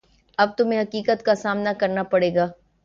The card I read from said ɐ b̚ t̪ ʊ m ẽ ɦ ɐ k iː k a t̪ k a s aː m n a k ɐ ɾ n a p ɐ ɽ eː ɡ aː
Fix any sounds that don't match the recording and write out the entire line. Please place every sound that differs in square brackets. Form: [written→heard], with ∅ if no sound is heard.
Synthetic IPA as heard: ɐ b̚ t̪ ʊ m ẽ ɦ ɐ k iː k [a→ə] t̪ k a s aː m n a k ɐ ɾ n a p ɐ ɽ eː ɡ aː